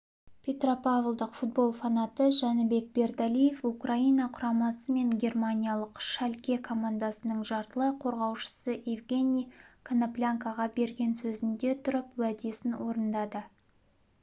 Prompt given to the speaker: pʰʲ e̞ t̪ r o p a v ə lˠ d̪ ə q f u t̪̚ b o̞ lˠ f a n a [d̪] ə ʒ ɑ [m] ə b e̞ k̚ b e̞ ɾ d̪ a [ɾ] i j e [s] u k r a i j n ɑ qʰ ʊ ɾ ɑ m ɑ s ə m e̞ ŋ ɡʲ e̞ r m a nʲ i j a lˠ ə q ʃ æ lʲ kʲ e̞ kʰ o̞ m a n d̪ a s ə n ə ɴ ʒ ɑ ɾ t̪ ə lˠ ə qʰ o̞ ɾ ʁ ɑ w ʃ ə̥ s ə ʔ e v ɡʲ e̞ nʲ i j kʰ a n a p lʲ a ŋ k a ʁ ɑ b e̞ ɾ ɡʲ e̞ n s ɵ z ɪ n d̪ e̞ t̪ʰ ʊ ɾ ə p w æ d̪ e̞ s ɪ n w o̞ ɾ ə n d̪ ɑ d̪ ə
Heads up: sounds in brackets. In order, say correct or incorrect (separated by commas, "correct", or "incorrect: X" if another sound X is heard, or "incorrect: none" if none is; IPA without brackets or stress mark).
incorrect: t̪, incorrect: n, incorrect: l, incorrect: f